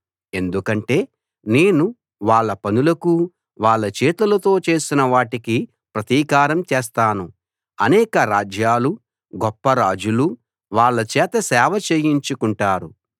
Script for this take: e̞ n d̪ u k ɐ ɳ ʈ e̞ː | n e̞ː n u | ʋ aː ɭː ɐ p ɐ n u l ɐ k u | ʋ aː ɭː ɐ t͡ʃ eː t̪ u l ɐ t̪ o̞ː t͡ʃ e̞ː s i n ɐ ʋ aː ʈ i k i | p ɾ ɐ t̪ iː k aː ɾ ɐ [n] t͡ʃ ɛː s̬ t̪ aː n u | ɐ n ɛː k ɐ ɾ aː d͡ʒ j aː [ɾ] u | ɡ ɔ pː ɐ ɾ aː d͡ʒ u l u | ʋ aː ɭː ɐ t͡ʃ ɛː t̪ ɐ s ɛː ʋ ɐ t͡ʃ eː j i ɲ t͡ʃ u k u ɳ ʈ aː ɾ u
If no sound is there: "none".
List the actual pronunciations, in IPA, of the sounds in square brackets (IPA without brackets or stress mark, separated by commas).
m, l